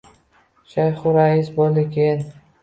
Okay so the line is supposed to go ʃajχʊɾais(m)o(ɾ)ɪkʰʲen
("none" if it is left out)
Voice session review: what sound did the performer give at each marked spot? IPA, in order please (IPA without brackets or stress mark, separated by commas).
b, l